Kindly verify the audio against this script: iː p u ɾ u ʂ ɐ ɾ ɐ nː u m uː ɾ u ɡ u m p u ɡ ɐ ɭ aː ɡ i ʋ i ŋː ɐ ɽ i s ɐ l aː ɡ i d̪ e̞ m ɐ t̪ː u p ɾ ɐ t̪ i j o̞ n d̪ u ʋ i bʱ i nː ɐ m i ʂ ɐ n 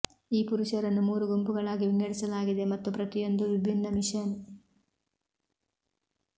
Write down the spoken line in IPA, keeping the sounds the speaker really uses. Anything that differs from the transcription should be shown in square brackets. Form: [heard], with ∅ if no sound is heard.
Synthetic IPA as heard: iː p u ɾ u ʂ ɐ ɾ ɐ nː u m uː ɾ u ɡ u m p u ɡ ɐ ɭ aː ɡ i ʋ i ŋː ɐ ɽ i s ɐ l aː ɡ i d̪ e̞ m ɐ t̪ː u p ɾ ɐ t̪ i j o̞ n d̪ u ʋ i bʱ i nː ɐ m i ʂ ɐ n